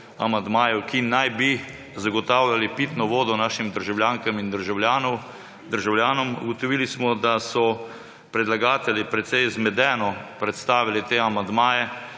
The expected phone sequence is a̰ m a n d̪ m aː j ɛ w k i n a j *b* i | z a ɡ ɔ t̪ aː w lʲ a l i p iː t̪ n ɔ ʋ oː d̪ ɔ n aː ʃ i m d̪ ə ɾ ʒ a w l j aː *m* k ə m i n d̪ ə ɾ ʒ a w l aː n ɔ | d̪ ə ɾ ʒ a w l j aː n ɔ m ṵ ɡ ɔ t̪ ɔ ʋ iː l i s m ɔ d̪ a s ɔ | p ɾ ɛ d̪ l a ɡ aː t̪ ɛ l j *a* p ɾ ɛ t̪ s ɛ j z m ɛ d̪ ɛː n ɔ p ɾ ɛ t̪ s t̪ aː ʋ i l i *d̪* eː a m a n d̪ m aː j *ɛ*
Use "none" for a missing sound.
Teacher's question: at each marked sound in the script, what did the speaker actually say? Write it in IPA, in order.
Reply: b, ŋ, i, t̪, ɛ

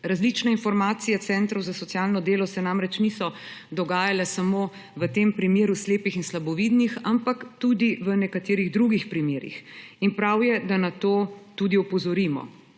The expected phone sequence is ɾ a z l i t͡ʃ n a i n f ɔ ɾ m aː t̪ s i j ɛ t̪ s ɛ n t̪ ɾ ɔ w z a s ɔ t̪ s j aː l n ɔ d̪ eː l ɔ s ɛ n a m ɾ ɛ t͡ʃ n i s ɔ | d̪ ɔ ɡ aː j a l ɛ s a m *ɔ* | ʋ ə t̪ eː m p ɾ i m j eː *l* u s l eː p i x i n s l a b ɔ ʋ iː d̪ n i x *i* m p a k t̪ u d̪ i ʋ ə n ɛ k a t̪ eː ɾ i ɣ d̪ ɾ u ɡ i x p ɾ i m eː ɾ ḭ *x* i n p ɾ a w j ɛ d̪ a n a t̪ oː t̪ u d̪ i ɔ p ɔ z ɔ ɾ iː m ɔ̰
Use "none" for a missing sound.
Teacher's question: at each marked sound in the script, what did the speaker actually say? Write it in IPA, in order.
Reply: o, ɾ, a, x

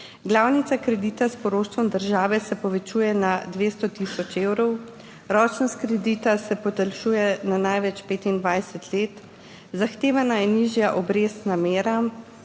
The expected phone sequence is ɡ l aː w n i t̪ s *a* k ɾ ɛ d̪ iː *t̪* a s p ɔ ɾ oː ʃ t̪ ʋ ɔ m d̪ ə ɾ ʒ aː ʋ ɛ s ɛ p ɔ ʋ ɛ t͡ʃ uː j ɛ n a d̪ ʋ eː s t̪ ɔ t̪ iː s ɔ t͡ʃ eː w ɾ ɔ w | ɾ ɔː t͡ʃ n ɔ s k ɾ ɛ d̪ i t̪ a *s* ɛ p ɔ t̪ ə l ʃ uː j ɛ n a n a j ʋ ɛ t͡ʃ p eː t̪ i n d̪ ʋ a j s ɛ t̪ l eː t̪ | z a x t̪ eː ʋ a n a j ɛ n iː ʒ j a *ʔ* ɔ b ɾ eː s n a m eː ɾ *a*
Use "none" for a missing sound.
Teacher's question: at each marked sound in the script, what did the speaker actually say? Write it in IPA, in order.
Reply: a, t̪, s, ʔ, a

